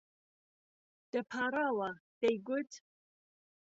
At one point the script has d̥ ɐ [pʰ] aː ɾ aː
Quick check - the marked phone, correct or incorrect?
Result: correct